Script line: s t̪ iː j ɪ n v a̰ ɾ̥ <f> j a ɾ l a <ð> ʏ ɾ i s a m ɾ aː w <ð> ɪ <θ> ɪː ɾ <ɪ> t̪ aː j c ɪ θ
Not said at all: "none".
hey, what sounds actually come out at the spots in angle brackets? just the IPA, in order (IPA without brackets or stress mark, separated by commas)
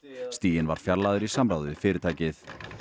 f, ð, ð, f, ɪ